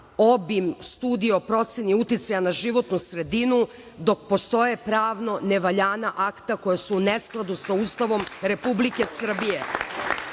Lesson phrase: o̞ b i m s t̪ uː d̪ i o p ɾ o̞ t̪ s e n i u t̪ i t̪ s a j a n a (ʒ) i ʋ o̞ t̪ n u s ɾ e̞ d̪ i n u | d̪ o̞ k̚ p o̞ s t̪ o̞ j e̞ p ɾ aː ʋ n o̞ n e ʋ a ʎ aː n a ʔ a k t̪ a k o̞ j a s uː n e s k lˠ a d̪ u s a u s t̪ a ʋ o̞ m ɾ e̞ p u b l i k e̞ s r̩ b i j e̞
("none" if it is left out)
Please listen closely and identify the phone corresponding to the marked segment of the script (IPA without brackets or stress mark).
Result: ʒ